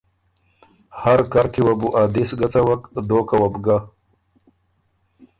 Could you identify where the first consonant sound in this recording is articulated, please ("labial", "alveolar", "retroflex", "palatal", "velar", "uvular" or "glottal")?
glottal